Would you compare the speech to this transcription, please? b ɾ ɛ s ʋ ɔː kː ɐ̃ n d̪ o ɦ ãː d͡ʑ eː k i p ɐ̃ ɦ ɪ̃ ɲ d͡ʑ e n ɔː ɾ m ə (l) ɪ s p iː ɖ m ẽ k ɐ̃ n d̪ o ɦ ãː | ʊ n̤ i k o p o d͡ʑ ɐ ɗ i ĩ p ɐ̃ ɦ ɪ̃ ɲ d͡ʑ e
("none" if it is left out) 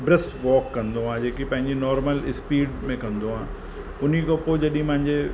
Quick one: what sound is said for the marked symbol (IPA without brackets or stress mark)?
l